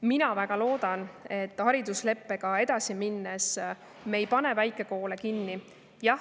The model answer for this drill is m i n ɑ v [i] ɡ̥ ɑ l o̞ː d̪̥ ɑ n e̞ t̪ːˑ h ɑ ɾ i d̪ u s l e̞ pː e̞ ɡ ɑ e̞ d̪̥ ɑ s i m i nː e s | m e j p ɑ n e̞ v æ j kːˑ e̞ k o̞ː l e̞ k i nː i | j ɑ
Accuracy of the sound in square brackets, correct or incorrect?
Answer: incorrect